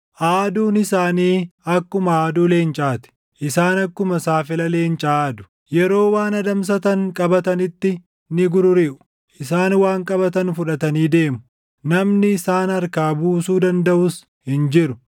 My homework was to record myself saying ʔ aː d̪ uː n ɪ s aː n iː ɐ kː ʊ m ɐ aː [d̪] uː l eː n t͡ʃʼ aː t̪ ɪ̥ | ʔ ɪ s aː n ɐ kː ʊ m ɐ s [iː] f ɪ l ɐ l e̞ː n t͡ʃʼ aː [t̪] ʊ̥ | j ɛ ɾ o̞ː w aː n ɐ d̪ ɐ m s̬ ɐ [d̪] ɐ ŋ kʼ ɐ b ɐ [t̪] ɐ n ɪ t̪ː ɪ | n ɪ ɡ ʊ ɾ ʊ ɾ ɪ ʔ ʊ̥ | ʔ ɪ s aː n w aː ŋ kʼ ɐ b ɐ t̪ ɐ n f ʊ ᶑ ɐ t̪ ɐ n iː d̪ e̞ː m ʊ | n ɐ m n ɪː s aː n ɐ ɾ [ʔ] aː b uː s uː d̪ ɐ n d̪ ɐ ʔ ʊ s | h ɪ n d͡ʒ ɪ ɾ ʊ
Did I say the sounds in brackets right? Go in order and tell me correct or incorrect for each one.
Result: correct, incorrect: aː, incorrect: d̪, incorrect: t̪, correct, incorrect: k

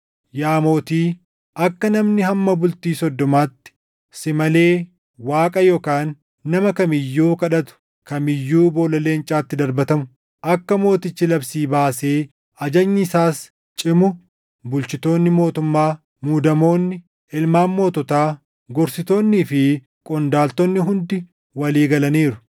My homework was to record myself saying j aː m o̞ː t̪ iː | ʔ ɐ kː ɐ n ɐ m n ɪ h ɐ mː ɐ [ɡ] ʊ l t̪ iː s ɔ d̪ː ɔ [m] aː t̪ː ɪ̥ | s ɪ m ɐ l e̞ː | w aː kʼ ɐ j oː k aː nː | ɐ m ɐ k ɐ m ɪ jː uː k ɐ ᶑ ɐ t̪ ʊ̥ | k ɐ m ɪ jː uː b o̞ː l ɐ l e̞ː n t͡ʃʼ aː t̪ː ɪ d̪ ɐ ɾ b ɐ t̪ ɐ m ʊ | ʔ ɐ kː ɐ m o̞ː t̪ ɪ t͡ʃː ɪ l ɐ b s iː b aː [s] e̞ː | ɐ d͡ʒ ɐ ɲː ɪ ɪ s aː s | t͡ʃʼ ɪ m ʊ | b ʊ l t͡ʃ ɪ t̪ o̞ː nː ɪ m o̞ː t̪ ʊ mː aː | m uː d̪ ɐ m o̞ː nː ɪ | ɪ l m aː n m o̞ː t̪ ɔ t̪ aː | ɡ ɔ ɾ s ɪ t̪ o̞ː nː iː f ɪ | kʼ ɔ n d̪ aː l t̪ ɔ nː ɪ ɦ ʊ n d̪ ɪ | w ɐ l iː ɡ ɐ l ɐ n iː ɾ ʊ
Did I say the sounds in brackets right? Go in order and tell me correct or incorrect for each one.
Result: incorrect: b, correct, correct

